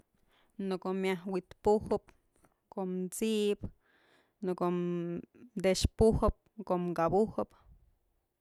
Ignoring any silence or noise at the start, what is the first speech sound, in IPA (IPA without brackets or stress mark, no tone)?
n